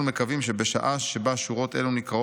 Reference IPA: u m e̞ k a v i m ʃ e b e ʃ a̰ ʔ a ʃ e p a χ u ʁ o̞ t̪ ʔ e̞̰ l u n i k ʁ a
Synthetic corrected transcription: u m e̞ k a v i m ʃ e b e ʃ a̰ ʔ a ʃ e b a ʃ u ʁ o̞ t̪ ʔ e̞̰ l u n i k ʁ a